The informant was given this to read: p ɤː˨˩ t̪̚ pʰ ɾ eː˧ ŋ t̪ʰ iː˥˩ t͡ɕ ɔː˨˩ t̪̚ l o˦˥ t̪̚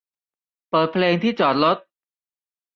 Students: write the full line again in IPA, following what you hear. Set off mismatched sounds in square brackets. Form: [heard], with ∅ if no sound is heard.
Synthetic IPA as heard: p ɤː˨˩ t̪̚ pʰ [l] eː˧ ŋ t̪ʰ iː˥˩ t͡ɕ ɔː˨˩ t̪̚ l o˦˥ t̪̚